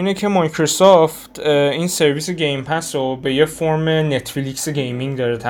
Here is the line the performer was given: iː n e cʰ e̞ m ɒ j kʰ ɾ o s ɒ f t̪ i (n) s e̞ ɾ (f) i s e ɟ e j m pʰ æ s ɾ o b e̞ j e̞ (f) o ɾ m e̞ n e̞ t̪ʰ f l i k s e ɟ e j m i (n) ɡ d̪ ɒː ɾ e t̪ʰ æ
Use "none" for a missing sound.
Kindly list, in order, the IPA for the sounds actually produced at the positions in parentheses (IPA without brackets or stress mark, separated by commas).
n, v, f, ŋ